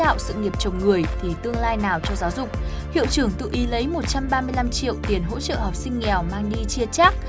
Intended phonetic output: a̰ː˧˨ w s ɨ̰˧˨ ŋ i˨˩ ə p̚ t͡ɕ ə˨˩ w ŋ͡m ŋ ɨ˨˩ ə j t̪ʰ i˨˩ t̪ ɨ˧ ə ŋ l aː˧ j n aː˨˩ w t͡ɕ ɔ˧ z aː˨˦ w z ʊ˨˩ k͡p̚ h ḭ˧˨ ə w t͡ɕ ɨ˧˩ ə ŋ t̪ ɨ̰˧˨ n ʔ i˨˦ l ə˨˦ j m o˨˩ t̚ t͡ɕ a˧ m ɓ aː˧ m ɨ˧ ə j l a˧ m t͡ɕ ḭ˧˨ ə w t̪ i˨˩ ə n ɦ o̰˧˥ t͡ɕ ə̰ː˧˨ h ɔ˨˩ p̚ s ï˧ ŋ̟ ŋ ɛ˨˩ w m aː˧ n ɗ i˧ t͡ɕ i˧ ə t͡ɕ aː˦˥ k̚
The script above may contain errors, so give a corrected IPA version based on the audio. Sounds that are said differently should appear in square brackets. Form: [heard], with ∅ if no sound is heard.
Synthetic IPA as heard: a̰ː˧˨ w s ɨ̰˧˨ ŋ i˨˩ ə p̚ t͡ɕ ə˨˩ w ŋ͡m ŋ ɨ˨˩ ə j t̪ʰ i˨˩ t̪ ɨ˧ ə ŋ l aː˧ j n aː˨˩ w t͡ɕ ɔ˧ z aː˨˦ w z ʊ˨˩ k͡p̚ h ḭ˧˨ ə w t͡ɕ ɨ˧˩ ə ŋ t̪ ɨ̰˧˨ [∅] ʔ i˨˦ l ə˨˦ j m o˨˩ t̚ t͡ɕ a˧ m ɓ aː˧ m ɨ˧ ə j l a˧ m t͡ɕ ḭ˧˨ ə w t̪ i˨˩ ə n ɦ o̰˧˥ t͡ɕ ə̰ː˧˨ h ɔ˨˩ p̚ s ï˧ ŋ̟ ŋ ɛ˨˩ w m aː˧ [ŋ] ɗ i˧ t͡ɕ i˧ ə t͡ɕ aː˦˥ k̚

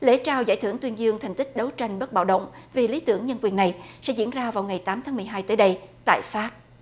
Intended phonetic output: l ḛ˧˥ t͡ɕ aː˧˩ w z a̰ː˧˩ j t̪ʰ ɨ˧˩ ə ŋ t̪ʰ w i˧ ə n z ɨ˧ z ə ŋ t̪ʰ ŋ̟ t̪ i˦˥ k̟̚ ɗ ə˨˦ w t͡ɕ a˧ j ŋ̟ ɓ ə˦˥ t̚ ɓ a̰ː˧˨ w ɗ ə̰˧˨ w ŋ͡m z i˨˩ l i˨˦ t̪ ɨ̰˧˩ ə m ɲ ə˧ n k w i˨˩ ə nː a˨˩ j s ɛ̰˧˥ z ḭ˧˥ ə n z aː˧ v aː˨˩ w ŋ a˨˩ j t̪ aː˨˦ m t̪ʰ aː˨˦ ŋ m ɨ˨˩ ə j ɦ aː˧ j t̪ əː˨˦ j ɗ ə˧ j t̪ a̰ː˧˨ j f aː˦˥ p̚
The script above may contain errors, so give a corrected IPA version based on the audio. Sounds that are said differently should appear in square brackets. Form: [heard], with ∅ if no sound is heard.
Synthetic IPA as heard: l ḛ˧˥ t͡ɕ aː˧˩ w z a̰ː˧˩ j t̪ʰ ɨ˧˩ ə ŋ [t̪] w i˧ ə n z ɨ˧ [∅] ə ŋ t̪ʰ ŋ̟ t̪ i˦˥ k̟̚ ɗ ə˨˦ w t͡ɕ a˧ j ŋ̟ ɓ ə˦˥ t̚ ɓ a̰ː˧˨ w ɗ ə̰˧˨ w ŋ͡m [v] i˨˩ l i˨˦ t̪ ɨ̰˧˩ ə [ŋ] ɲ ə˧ n k w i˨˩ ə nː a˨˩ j s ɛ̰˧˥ z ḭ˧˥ ə n z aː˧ v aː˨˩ w ŋ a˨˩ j t̪ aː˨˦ m t̪ʰ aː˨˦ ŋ m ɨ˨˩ ə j ɦ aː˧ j t̪ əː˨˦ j ɗ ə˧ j t̪ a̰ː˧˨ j f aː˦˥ p̚

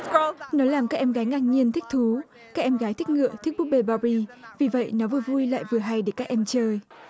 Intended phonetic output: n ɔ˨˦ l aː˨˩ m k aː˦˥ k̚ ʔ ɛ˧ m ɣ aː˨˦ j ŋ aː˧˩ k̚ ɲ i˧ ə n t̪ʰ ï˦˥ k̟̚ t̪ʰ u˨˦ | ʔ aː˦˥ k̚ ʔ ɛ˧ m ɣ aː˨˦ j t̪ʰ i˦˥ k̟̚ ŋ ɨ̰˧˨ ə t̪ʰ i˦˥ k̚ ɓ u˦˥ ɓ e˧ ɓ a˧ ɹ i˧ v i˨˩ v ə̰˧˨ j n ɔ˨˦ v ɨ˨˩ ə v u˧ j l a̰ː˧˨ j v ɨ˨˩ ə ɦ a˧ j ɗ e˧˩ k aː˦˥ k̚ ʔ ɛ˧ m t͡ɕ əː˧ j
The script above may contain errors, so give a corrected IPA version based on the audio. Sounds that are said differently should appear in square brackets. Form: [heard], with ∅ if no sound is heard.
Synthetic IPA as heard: n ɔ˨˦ l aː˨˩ m k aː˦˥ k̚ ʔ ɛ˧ m ɣ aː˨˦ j ŋ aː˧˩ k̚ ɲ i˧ ə n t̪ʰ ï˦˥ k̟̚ t̪ʰ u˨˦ | [k] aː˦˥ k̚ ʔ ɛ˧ m ɣ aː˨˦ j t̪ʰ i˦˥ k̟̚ ŋ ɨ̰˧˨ ə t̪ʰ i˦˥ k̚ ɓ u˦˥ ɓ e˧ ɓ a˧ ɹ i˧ v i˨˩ v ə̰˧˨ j n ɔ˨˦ v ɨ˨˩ ə v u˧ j l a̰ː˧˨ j v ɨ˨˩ ə ɦ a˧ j ɗ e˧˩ k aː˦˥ k̚ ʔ ɛ˧ m t͡ɕ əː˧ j

